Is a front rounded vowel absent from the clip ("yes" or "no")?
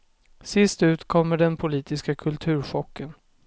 yes